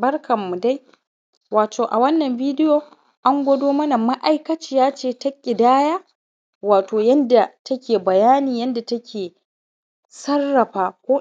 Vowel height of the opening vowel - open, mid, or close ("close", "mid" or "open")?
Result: open